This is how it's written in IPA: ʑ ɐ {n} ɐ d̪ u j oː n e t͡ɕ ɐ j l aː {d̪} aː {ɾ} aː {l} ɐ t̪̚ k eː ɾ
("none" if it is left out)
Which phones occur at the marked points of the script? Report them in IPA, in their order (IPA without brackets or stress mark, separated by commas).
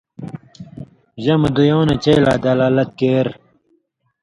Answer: m, d̪, l, l